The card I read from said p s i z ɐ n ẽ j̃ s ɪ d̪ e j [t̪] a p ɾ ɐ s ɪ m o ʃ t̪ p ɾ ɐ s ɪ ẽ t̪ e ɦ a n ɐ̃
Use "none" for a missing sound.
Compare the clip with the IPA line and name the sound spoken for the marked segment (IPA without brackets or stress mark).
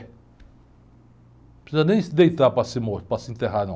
t̪